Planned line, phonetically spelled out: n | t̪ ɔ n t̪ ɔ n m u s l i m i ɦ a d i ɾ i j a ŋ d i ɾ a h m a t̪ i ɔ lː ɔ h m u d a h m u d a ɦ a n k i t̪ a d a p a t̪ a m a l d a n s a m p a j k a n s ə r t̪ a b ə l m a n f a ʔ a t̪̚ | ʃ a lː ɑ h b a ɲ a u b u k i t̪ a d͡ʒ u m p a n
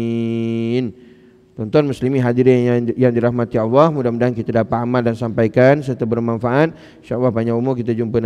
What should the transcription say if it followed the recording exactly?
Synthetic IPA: n | t̪ ɔ n t̪ ɔ n m u s l i m i ɦ a d i ɾ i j a ŋ d i ɾ a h m a t̪ i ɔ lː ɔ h m u d a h m u d a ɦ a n k i t̪ a d a p a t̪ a m a l d a n s a m p a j k a n s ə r t̪ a b ə r m a n f a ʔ a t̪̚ | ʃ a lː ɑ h b a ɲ a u m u k i t̪ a d͡ʒ u m p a n